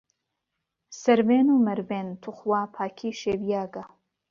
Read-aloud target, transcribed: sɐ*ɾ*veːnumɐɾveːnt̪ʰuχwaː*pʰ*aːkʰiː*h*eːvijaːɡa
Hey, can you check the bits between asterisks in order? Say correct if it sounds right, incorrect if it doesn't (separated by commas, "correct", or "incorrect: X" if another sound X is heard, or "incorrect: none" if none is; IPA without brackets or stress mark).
correct, correct, incorrect: ʃ